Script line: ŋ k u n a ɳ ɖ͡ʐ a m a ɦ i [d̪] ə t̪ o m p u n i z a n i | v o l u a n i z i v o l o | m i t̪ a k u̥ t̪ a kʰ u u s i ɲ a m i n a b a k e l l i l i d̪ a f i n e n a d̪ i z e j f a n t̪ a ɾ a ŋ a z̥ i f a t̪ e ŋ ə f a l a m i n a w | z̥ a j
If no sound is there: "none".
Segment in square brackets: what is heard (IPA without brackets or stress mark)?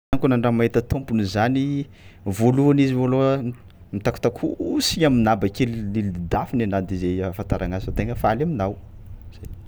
t̪